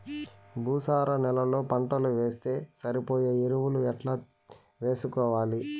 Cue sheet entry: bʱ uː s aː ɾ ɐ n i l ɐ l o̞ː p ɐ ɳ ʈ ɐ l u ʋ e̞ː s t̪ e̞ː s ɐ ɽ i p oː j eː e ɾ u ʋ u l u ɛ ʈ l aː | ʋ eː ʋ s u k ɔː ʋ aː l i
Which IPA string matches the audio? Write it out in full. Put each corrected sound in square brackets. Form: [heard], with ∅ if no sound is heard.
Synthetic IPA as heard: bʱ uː s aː ɾ ɐ n [ɛ] l ɐ l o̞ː p ɐ ɳ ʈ ɐ l u ʋ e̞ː s t̪ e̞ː s ɐ [ɾ] i p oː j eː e ɾ u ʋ u l u ɛ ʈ l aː | ʋ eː [∅] s u k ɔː ʋ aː l i